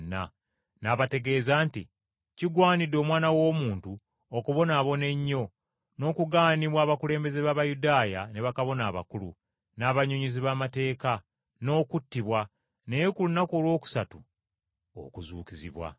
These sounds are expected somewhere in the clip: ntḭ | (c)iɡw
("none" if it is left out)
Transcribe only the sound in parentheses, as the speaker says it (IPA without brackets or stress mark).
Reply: c